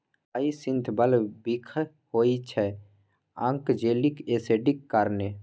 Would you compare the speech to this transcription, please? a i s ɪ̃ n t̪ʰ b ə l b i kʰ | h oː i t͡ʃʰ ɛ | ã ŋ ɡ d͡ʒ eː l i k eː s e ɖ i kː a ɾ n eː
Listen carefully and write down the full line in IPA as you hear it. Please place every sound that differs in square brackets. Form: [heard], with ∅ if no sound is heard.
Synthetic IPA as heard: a i s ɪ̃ n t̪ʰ b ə l b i kʰ | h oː i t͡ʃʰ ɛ | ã ŋ [k] d͡ʒ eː l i k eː s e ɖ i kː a ɾ n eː